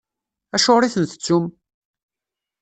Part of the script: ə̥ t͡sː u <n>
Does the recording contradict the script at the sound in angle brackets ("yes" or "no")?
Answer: yes